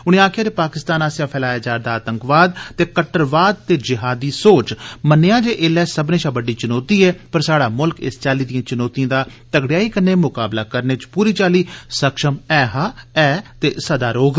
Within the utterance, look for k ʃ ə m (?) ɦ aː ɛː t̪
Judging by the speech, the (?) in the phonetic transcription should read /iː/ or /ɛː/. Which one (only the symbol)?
ɛː